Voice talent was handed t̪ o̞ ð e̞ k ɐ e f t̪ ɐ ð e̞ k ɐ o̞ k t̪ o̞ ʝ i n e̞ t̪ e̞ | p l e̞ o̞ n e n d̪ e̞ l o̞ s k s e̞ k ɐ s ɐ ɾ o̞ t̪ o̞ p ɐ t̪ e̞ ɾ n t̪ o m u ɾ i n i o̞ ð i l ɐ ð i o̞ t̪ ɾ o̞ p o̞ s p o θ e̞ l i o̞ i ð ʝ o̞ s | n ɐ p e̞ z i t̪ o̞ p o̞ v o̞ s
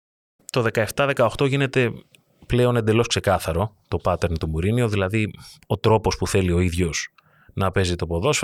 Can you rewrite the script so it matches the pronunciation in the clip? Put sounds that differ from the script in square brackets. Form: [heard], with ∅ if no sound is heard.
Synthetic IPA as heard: t̪ o̞ ð e̞ k ɐ e f t̪ ɐ ð e̞ k ɐ o̞ [x] t̪ o̞ ʝ i n e̞ t̪ e̞ | p l e̞ o̞ n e n d̪ e̞ l o̞ s k s e̞ k ɐ [θ] ɐ ɾ o̞ t̪ o̞ p ɐ t̪ e̞ ɾ n t̪ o m u ɾ i n i o̞ ð i l ɐ ð i o̞ t̪ ɾ o̞ p o̞ s p [u] θ e̞ l i o̞ i ð ʝ o̞ s | n ɐ p e̞ z i t̪ o̞ p o̞ [ð] o̞ s